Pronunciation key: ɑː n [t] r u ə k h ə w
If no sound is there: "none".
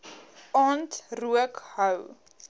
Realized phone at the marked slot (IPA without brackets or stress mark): t